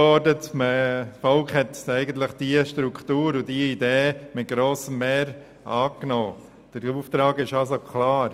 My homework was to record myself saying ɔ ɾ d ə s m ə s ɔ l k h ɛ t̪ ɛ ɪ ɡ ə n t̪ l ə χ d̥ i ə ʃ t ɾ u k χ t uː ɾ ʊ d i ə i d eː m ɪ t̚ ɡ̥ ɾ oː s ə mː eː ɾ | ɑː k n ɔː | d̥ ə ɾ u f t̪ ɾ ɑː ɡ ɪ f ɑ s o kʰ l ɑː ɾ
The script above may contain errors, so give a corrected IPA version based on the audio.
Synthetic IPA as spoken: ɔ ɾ d ə t m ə f ɔ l k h ɛ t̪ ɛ ɪ ɡ ə n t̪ l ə χ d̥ i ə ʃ t ɾ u k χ t uː ɾ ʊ d i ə i d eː m ɪ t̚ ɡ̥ ɾ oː s ə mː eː ɾ | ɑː k n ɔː | d̥ ə ɾ u f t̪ ɾ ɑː ɡ ɪ ʃ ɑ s o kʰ l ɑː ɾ